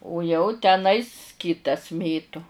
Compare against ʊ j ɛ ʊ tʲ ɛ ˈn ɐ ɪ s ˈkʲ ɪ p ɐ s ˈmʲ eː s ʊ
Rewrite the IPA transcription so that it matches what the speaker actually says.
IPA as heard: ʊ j ɛ ʊ tʲ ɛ ˈn ɐ ɪ s ˈkʲ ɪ t ɐ s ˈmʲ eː t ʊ